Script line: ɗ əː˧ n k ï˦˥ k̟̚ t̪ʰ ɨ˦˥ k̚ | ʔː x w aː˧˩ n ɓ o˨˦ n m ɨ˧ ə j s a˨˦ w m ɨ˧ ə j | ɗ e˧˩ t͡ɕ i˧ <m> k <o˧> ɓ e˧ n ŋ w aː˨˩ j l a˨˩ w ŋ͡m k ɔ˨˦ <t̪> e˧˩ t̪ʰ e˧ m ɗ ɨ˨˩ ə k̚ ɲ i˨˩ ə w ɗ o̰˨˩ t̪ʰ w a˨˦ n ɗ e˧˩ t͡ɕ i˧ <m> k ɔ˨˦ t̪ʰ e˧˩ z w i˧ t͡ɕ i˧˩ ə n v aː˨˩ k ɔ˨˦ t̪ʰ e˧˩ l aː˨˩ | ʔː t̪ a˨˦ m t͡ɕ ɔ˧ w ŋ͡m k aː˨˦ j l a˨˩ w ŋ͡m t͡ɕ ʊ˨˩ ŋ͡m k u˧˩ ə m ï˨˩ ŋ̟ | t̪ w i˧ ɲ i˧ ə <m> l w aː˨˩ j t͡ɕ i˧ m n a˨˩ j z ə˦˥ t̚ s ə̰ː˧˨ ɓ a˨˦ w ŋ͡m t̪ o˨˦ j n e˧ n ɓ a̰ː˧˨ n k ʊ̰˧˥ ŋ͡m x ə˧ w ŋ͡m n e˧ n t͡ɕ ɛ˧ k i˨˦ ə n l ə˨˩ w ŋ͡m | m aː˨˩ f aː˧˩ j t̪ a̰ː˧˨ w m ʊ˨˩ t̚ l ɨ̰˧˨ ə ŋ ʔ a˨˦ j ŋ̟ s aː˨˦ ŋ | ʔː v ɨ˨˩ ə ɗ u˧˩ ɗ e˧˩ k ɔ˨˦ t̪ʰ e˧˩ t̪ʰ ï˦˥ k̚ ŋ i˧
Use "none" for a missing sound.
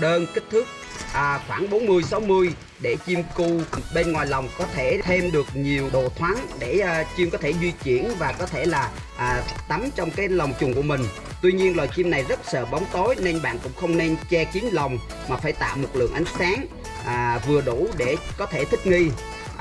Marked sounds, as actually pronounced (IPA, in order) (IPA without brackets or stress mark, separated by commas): m, u˧, t̪ʰ, m, n